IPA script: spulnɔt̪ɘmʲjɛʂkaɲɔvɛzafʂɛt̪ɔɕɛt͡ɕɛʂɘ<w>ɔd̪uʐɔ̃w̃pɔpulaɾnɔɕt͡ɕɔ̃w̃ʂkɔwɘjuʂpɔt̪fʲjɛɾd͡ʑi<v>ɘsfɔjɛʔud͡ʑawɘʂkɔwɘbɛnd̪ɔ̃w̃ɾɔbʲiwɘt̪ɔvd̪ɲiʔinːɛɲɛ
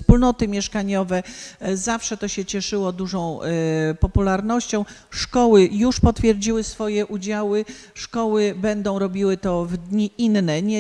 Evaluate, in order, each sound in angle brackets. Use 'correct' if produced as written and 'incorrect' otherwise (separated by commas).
correct, incorrect